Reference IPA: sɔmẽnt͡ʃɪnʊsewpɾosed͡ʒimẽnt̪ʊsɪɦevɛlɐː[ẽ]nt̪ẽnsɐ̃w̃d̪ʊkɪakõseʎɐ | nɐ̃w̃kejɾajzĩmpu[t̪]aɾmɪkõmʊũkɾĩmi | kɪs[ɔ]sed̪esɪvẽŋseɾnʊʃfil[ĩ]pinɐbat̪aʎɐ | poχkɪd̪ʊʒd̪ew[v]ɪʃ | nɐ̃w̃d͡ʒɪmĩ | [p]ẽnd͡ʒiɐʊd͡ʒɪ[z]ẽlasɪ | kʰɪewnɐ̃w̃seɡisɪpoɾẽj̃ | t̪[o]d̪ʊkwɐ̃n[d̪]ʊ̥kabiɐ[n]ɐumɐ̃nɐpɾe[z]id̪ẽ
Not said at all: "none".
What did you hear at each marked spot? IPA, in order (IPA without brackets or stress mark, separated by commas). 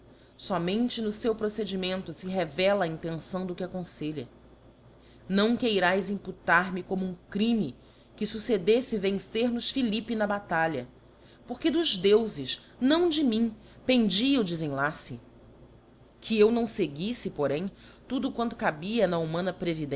ĩ, t̪, u, i, z, p, z, u, t̪, n, v